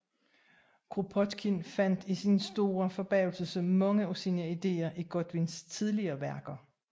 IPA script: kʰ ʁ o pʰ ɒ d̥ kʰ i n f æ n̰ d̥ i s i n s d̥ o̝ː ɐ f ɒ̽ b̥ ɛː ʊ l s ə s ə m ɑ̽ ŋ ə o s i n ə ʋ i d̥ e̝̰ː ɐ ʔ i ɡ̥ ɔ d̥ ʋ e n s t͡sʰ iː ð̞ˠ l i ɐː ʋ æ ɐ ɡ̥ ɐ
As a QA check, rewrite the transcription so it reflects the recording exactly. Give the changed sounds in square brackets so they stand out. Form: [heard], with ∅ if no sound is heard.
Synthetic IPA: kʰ ʁ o pʰ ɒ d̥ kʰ i n f æ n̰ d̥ i s i n s d̥ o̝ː ɐ f ɒ̽ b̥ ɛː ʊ l s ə s ə m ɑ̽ ŋ ə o s i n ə [∅] i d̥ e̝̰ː ɐ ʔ i ɡ̥ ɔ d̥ ʋ [i] n s t͡sʰ [i] ð̞ˠ l i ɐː ʋ æ ɐ ɡ̥ ɐ

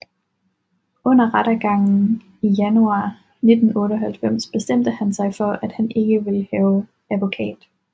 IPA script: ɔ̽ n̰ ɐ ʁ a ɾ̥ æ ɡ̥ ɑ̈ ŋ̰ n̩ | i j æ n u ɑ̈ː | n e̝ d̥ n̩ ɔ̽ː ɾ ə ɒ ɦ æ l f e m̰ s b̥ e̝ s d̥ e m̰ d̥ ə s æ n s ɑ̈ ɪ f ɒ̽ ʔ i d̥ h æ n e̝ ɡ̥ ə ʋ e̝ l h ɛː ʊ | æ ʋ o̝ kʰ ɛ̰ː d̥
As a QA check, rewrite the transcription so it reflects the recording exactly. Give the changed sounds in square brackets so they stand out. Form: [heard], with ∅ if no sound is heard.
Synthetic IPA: ɔ̽ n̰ ɐ ʁ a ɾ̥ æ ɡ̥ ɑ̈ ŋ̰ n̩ | i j æ n u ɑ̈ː | n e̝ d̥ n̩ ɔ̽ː ɾ ə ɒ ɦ æ l f e m̰ s b̥ e̝ s d̥ e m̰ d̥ ə [h] æ n s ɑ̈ ɪ f ɒ̽ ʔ [æ] d̥ h æ n e̝ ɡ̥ ə ʋ e̝ l h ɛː ʊ | æ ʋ o̝ kʰ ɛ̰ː d̥

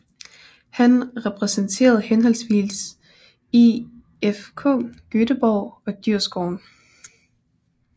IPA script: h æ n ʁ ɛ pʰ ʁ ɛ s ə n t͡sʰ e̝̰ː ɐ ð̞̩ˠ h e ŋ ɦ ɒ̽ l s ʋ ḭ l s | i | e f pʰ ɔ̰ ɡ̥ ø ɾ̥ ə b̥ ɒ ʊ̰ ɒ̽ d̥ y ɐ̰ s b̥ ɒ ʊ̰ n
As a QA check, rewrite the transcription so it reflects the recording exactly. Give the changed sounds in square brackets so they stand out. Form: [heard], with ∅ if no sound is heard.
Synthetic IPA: h æ n ʁ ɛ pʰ ʁ ɛ s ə n t͡sʰ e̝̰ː ɐ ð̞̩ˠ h e [n] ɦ ɒ̽ l s ʋ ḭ l s | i | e f [kʰ] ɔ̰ ɡ̥ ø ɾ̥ ə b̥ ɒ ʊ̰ ɒ̽ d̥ y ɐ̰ s [ɡ̥] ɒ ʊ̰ n

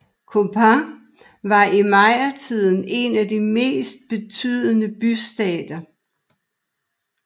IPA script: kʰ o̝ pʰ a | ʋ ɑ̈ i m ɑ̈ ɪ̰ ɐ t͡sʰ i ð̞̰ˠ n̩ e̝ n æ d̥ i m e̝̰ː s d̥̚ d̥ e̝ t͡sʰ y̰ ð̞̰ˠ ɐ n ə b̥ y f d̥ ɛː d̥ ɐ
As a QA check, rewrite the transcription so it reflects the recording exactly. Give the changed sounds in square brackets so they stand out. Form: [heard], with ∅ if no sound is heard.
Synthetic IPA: kʰ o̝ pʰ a | ʋ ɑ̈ i m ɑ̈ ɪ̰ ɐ t͡sʰ i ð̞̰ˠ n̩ e̝ n æ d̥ i m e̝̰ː s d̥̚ [b̥] e̝ t͡sʰ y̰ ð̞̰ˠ [ə] n ə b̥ y [s] d̥ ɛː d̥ ɐ

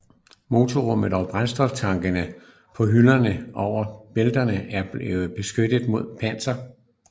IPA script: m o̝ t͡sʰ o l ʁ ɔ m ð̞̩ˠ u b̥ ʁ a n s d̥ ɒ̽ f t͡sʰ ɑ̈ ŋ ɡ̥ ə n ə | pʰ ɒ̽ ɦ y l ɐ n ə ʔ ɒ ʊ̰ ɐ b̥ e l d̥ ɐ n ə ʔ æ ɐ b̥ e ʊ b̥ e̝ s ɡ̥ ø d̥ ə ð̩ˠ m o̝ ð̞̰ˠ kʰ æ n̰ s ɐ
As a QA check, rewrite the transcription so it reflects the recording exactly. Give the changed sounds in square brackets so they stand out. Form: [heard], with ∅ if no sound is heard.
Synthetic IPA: m o̝ t͡sʰ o [∅] ʁ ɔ m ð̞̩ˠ [ɒ] b̥ ʁ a n s d̥ ɒ̽ f t͡sʰ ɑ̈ ŋ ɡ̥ ə n ə | pʰ ɒ̽ ɦ y l ɐ n ə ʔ ɒ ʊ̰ ɐ b̥ e l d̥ ɐ n ə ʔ æ ɐ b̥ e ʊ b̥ e̝ s ɡ̥ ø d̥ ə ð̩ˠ m o̝ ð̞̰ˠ [pʰ] æ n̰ s ɐ

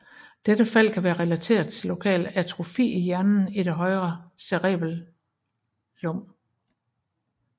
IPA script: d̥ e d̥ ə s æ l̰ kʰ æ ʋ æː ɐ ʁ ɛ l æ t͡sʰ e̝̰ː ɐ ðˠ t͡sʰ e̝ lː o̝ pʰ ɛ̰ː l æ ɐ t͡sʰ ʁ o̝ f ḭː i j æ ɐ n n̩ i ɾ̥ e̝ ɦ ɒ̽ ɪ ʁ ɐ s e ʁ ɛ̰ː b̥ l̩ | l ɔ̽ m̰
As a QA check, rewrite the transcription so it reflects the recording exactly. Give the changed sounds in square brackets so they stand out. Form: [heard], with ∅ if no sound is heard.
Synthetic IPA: d̥ e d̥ ə [f] æ l̰ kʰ æ ʋ æː ɐ ʁ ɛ l æ t͡sʰ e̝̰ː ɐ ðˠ t͡sʰ e̝ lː o̝ [kʰ] ɛ̰ː l æ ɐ t͡sʰ ʁ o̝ f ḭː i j æ ɐ n n̩ i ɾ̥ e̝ ɦ ɒ̽ ɪ ʁ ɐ s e ʁ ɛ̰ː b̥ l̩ | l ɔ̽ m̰

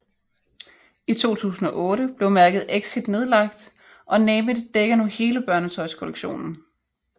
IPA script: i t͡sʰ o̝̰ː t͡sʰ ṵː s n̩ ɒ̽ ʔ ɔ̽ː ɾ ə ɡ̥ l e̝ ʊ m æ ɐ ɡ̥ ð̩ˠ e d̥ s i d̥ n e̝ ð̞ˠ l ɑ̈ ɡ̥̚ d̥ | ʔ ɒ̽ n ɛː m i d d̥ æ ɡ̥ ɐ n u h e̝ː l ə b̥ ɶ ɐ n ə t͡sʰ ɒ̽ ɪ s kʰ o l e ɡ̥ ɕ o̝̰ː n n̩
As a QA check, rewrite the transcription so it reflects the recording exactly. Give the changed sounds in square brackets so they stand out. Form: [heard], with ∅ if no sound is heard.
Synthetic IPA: i t͡sʰ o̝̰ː t͡sʰ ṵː s n̩ ɒ̽ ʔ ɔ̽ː ɾ ə [b̥] l e̝ ʊ m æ ɐ ɡ̥ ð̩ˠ e [ɡ̥] s i d̥ n e̝ ð̞ˠ l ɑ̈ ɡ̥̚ d̥ | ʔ ɒ̽ n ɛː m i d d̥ [e] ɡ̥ ɐ n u h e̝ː l ə b̥ ɶ ɐ n ə t͡sʰ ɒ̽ ɪ s kʰ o l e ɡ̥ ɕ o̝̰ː n n̩

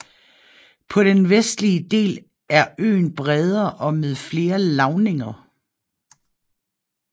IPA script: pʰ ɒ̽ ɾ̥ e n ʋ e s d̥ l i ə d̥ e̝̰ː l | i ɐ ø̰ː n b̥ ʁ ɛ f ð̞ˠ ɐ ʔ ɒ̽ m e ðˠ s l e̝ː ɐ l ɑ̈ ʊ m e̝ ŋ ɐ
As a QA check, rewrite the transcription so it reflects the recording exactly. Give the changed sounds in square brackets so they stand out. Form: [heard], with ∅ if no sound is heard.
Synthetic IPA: pʰ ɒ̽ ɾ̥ e n ʋ e s d̥ l i ə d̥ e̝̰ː l | [æ] ɐ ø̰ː n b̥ ʁ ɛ [∅] ð̞ˠ ɐ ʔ ɒ̽ m e ðˠ [f] l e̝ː ɐ l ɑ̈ ʊ [n] e̝ ŋ ɐ

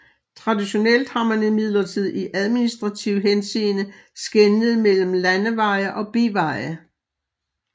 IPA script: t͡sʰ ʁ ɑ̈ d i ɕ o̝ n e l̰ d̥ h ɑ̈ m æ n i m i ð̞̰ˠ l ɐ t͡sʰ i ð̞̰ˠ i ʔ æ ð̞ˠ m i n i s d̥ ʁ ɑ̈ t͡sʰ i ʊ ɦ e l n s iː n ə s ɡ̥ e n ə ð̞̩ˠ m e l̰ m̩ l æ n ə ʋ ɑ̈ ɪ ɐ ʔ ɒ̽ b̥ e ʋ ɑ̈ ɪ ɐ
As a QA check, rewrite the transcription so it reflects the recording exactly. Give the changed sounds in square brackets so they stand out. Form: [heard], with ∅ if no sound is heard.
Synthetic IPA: t͡sʰ ʁ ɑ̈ d i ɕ o̝ n e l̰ d̥ h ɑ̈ m æ n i m i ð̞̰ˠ l ɐ t͡sʰ i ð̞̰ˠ i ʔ æ ð̞ˠ m i n i s d̥ ʁ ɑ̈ t͡sʰ i ʊ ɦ e [∅] n s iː n ə s ɡ̥ e n ə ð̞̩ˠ m e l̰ m̩ l æ n ə ʋ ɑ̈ ɪ ɐ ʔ ɒ̽ b̥ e ʋ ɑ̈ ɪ ɐ

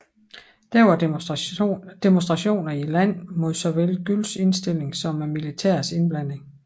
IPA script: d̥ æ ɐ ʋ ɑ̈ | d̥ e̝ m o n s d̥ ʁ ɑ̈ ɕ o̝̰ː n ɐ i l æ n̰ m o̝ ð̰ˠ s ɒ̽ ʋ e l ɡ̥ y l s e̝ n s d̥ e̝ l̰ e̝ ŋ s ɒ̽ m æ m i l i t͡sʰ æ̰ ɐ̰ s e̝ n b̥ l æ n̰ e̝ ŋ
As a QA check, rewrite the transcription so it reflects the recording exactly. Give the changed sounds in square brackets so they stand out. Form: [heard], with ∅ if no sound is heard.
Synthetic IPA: d̥ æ ɐ ʋ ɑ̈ | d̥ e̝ m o n s d̥ ʁ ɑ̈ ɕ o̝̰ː n ɐ i l æ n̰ m o̝ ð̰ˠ s ɒ̽ ʋ e l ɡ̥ y l s e̝ n s d̥ e̝ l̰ e̝ ŋ s ɒ̽ m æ m i l i t͡sʰ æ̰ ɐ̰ s e̝ n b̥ l æ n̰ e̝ ŋ

